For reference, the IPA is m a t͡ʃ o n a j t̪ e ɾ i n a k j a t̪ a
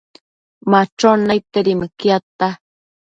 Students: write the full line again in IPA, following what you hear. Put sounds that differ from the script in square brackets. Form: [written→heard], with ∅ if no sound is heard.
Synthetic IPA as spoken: m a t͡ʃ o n a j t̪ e ɾ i [n→m] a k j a t̪ a

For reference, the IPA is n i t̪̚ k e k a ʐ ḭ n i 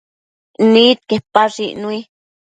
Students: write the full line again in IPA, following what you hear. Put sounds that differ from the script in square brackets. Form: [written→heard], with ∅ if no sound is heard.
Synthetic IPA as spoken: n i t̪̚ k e [k→p] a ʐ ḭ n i

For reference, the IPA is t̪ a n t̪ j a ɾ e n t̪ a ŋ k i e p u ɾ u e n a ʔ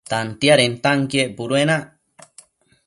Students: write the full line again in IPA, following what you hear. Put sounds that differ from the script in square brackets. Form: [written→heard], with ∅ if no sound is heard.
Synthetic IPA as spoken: t̪ a n t̪ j a ɾ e n t̪ a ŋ k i e p u ɾ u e n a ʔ

